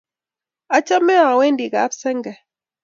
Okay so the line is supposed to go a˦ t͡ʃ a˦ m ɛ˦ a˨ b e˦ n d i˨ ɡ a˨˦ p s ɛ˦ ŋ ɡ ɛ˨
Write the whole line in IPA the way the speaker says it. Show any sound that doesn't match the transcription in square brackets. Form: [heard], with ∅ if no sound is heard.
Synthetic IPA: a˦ t͡ʃ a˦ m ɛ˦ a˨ [w] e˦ n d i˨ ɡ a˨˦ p s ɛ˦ ŋ ɡ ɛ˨